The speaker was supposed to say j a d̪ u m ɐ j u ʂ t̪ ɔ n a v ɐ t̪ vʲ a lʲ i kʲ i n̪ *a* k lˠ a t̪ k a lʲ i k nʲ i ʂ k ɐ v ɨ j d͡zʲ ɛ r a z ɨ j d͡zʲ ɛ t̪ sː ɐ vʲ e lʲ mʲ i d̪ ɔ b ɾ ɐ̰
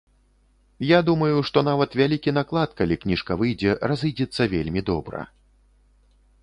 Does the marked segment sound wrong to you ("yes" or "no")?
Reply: no